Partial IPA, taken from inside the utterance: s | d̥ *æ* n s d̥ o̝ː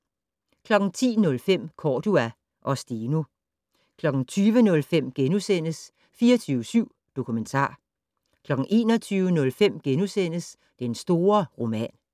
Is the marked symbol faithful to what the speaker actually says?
no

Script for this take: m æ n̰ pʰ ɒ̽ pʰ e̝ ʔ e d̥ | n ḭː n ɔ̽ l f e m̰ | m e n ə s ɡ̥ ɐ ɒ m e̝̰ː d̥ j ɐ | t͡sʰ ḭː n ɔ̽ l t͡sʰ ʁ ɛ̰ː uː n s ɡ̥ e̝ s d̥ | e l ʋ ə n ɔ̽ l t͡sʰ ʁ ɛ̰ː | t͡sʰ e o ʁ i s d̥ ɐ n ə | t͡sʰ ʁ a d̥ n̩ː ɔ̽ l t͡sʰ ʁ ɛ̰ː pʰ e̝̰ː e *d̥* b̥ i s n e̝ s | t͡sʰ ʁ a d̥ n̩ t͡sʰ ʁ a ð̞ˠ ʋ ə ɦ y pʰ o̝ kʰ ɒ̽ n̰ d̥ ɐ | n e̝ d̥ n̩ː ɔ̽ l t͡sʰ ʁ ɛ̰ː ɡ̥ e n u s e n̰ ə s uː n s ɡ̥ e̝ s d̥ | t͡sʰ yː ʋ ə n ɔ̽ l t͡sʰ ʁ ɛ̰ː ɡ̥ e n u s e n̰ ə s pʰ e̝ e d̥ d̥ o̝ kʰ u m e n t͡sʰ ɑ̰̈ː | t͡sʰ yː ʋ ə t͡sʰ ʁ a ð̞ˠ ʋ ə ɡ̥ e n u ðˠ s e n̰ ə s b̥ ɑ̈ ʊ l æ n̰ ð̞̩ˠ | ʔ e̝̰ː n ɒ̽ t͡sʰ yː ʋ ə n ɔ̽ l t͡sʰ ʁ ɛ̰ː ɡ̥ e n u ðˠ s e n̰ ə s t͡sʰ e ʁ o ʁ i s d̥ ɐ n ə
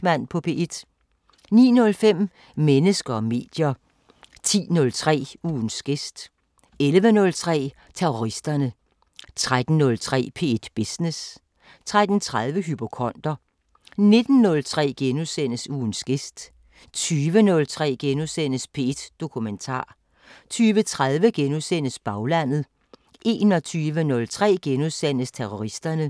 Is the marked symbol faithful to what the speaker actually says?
yes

